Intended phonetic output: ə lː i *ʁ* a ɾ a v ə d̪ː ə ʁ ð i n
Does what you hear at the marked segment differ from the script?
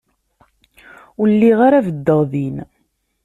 no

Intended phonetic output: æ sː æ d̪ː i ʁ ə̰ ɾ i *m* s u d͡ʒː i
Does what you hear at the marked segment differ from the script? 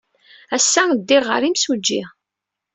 no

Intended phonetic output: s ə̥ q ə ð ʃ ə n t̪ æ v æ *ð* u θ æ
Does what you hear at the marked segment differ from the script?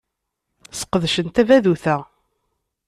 no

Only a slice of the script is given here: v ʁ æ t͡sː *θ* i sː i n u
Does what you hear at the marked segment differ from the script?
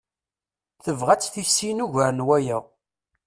no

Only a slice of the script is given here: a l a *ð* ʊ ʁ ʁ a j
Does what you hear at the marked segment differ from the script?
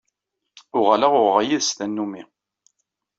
yes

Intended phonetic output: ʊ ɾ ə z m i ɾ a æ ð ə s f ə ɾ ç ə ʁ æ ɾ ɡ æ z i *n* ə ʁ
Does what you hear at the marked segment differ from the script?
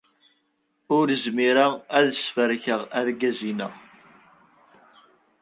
no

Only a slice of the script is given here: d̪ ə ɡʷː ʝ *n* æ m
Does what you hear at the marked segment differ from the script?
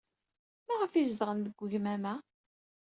yes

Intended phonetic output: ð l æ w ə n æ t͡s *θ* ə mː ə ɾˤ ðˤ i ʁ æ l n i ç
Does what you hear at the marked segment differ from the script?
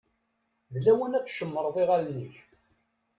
yes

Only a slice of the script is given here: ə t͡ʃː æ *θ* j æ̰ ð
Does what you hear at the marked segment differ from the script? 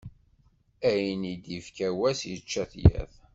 no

